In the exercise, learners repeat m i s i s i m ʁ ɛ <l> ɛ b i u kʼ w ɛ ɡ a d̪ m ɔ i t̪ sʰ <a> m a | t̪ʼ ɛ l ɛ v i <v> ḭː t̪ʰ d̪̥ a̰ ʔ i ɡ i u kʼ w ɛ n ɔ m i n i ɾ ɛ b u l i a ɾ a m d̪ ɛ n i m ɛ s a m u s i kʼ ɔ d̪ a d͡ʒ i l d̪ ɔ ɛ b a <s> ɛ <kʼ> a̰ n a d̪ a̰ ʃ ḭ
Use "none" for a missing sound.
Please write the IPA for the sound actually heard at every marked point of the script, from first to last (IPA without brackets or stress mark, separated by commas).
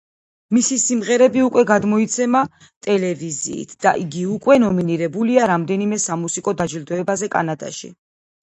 ɾ, ɛ, z, z, kʼ